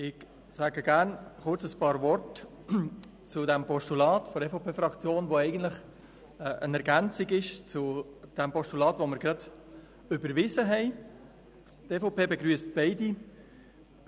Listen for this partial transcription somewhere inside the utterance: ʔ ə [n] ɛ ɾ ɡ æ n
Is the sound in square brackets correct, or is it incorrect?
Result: correct